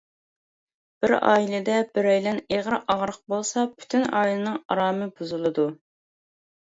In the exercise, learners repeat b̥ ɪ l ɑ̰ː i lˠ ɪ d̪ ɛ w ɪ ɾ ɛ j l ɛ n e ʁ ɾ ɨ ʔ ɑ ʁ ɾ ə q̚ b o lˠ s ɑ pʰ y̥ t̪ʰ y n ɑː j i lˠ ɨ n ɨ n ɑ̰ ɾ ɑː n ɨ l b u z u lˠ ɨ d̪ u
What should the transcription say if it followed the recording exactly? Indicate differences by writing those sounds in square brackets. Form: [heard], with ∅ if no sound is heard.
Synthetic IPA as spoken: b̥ ɪ [ɾ] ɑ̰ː i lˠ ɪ d̪ ɛ [b] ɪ ɾ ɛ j l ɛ n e ʁ ɾ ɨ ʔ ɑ ʁ ɾ ə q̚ b o lˠ s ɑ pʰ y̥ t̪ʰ y n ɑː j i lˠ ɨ n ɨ [ŋ] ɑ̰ ɾ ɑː [m] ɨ [∅] b u z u lˠ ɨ d̪ u